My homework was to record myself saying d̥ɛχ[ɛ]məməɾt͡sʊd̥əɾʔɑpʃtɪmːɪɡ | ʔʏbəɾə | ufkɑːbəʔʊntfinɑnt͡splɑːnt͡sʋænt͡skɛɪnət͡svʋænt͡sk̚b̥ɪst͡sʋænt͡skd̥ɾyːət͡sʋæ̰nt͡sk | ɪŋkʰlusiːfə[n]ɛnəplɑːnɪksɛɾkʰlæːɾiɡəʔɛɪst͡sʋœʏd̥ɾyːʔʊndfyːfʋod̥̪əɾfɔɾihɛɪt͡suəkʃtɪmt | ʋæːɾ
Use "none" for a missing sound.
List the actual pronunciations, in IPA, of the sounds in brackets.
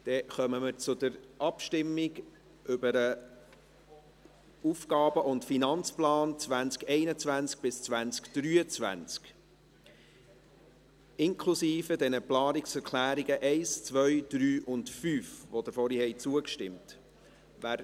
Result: œ, d

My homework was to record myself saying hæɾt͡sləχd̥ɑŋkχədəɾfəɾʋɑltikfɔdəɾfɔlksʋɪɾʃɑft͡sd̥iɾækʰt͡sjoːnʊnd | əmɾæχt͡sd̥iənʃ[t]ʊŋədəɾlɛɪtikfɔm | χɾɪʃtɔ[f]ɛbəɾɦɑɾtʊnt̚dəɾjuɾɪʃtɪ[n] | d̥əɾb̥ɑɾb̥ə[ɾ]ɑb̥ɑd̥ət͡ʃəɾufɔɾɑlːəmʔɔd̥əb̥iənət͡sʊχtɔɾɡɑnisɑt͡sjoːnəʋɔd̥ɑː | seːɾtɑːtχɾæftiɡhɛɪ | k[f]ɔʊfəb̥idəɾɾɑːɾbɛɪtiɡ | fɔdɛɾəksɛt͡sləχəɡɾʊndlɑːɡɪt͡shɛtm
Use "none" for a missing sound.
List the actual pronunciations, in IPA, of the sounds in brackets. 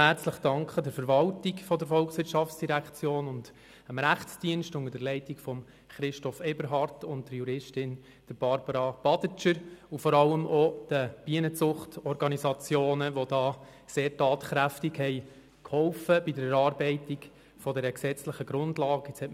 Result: t, f, n, ɾ, h

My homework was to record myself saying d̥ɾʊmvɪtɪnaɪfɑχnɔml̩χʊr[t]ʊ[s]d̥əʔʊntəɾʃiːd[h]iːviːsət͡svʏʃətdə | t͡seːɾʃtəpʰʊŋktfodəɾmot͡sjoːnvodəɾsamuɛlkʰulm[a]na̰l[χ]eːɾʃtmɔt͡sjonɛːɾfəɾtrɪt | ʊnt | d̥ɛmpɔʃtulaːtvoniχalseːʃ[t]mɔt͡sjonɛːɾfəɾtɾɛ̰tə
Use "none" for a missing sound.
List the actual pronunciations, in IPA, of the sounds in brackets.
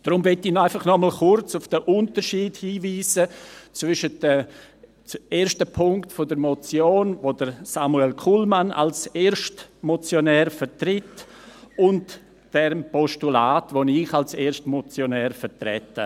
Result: t͡s, f, h, a, s, t

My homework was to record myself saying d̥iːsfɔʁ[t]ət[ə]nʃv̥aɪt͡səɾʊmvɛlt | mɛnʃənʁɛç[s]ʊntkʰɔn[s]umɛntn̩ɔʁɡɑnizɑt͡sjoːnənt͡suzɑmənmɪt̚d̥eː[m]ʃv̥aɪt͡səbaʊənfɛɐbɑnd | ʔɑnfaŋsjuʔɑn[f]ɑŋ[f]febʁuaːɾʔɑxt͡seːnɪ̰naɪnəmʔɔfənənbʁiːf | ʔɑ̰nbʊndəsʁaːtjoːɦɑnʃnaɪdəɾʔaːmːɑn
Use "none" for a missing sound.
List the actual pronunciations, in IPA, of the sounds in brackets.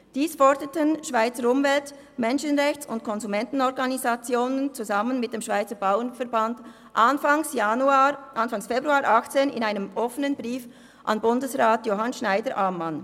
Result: d, ə, t͡s, z, m, f, s

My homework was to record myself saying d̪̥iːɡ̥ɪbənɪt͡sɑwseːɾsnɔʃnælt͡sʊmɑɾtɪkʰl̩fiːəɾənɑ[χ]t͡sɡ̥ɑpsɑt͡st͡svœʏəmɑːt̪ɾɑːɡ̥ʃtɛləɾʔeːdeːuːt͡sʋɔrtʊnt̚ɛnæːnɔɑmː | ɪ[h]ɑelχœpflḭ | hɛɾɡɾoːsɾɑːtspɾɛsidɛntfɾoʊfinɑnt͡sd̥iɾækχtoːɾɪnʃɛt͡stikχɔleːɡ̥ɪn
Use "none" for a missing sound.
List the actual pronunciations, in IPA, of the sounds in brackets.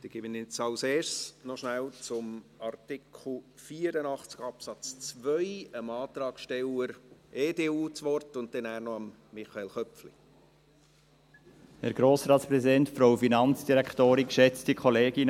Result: χ, χ

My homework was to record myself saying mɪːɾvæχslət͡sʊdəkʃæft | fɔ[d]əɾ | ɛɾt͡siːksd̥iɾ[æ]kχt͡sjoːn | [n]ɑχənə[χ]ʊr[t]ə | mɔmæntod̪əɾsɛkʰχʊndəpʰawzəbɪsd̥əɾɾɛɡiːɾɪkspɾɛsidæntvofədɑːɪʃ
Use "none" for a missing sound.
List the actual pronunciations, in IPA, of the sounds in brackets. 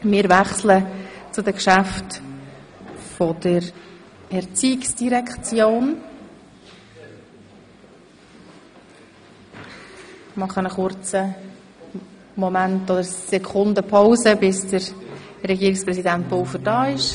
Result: d, ɛ, m, χ, t͡s

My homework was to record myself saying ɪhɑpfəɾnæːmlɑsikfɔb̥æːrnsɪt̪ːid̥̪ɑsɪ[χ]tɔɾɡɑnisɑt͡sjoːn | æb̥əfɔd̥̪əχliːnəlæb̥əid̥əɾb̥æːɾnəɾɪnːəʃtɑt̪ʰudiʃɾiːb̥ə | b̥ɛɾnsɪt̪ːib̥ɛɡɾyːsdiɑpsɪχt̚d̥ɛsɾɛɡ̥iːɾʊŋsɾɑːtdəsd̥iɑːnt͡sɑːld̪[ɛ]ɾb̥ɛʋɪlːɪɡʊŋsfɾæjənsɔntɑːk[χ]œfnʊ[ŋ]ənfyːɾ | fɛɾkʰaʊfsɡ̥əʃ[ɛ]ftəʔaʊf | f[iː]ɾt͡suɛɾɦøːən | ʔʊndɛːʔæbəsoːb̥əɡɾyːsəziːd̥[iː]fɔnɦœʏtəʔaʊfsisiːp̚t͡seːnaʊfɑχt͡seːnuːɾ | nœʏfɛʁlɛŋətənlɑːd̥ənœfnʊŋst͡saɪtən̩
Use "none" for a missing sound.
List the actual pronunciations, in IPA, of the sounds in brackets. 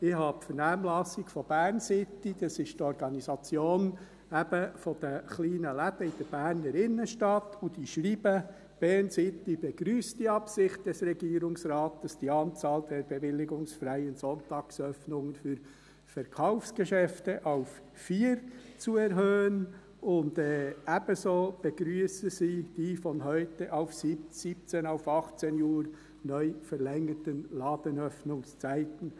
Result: ʃ, ɛ, s, ŋ, ɛ, iː, iː

